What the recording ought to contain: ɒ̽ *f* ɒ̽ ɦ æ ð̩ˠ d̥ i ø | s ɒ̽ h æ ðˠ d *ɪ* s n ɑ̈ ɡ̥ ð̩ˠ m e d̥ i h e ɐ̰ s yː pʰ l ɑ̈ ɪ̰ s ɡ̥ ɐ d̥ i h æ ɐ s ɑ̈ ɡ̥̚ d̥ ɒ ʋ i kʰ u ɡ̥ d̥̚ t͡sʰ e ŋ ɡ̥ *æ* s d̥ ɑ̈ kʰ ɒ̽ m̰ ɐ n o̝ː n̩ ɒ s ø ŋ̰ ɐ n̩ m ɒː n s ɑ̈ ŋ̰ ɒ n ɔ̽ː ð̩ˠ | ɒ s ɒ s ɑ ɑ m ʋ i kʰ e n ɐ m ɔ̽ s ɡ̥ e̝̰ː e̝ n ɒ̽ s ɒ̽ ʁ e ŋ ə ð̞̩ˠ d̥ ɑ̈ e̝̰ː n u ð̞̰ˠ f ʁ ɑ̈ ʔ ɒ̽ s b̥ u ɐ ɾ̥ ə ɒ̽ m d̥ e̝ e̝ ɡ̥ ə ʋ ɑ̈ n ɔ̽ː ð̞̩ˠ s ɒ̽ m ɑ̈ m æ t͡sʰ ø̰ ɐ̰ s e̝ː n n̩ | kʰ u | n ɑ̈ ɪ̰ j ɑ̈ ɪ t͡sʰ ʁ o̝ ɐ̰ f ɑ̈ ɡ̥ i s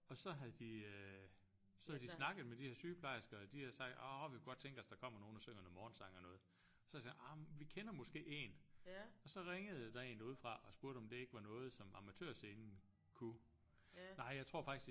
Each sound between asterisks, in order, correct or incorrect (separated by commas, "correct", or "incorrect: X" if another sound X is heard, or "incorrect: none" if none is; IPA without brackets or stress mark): incorrect: s, incorrect: i, correct